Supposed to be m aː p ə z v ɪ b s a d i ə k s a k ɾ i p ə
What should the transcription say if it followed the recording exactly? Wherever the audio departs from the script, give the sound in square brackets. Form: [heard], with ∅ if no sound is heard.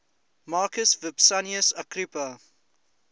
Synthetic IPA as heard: m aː [k] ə [s] v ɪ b s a [n] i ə [∅] s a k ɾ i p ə